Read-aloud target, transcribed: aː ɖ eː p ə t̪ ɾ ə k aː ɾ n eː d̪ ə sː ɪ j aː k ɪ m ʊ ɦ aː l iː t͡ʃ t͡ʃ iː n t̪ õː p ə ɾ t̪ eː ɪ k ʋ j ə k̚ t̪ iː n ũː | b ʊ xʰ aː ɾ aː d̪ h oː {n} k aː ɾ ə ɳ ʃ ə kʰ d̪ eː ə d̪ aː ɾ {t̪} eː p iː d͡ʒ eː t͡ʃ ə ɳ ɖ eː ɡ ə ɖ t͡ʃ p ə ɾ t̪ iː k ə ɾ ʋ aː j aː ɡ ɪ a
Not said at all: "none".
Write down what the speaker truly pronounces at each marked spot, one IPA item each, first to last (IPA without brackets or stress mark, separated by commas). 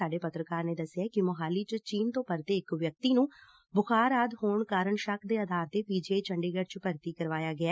ɳ, t̪